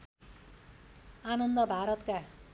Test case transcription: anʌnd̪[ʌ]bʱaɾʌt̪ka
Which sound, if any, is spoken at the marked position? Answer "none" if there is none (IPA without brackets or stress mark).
ʌ